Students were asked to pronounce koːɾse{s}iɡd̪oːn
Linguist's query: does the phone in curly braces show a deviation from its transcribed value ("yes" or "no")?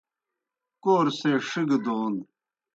yes